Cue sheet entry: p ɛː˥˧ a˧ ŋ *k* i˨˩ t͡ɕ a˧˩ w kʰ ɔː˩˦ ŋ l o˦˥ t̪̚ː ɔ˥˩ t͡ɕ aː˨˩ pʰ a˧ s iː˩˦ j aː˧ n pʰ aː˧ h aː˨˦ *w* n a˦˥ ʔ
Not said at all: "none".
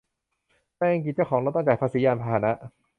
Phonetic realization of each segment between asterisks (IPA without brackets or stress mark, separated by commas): k, none